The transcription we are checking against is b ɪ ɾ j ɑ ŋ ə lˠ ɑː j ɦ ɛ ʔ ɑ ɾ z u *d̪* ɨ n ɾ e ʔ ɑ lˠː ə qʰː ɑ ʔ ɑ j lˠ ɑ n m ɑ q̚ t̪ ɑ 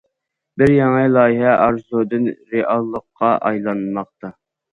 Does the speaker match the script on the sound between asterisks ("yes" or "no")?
yes